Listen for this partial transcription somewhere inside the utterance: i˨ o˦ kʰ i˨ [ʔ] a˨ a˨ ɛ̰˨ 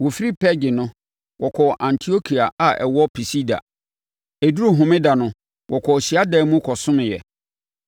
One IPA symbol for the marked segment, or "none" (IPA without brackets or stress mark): none